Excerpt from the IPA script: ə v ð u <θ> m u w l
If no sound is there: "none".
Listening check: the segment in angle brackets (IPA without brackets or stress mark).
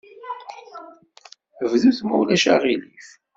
θ